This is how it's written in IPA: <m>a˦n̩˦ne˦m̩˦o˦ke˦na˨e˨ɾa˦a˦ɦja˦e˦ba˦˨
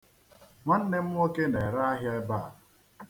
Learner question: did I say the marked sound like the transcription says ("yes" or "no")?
yes